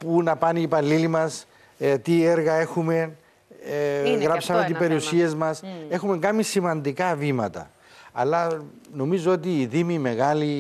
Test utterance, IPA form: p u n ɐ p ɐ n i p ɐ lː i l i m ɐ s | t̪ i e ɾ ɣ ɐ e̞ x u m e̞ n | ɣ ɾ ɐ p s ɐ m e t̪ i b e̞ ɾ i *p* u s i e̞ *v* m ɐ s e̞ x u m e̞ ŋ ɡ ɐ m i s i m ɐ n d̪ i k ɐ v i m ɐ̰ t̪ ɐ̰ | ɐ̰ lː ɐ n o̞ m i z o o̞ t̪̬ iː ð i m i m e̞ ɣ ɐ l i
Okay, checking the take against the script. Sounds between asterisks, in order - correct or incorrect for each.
incorrect, incorrect

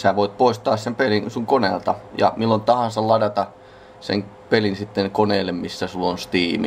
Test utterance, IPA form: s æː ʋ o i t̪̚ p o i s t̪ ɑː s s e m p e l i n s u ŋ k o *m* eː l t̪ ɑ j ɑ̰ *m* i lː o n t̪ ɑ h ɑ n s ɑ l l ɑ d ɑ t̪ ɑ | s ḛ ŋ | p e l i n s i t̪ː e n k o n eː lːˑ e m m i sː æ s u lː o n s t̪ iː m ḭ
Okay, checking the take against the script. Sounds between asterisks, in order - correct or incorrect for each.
incorrect, correct

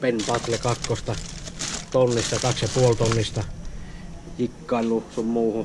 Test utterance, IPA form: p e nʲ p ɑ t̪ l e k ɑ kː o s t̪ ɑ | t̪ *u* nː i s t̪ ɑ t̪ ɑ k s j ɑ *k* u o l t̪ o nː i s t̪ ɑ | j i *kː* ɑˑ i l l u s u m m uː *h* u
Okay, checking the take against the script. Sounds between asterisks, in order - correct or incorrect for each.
incorrect, incorrect, correct, correct

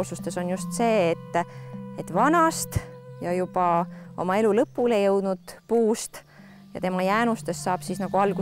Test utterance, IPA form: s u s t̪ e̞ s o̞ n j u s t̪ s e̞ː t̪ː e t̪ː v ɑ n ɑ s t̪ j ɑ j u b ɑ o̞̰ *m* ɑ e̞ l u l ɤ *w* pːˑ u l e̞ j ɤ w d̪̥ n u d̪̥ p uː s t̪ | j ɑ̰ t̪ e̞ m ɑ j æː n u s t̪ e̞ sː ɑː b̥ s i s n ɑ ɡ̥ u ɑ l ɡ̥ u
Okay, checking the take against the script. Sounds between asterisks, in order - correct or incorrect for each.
correct, incorrect

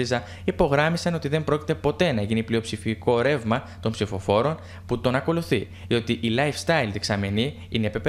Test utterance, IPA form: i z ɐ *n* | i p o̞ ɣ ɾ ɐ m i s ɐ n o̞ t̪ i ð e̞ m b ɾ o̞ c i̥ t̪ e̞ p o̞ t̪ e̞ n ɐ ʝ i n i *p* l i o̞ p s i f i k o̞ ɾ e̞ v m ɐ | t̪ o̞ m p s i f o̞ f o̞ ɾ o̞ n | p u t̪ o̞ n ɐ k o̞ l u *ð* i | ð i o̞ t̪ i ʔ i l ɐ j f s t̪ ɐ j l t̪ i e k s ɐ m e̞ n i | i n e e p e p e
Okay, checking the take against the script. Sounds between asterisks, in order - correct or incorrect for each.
incorrect, correct, incorrect

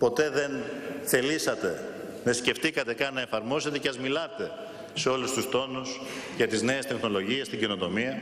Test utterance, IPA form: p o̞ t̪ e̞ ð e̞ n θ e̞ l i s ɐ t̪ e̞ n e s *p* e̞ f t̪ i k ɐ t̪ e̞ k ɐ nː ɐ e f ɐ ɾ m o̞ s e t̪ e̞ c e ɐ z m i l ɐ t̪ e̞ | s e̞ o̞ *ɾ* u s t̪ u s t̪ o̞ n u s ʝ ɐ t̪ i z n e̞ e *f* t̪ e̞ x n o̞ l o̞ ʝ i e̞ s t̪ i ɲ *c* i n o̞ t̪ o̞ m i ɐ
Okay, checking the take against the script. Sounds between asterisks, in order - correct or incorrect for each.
incorrect, incorrect, incorrect, incorrect

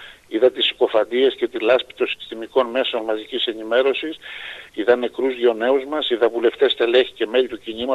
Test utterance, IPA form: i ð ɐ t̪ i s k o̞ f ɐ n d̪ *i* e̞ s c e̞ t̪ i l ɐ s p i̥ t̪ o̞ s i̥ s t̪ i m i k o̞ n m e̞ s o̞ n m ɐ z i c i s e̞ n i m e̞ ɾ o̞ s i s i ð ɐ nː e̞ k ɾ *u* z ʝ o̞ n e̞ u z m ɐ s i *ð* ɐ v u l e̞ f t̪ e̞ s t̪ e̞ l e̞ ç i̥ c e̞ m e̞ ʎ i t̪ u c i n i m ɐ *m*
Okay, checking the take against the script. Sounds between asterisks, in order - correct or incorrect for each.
correct, correct, correct, incorrect

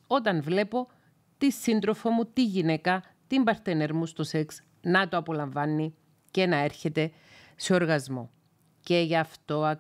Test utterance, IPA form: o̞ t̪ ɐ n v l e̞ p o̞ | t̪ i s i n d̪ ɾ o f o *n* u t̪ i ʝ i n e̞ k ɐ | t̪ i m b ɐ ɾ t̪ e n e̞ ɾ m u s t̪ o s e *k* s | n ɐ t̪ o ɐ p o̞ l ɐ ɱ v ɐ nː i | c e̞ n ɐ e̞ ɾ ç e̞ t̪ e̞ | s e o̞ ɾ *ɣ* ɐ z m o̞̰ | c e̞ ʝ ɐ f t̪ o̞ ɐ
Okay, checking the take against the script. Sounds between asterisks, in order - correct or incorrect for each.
incorrect, correct, correct

